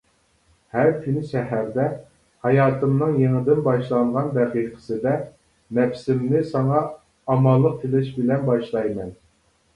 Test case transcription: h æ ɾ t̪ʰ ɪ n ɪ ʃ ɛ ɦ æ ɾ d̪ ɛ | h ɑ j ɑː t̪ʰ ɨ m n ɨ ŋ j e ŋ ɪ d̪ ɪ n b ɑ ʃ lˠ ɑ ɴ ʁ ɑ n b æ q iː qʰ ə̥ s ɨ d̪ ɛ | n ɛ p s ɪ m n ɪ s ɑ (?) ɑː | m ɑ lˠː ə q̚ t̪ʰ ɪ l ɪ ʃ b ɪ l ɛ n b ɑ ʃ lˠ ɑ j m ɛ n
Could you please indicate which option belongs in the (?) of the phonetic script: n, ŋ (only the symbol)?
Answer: ŋ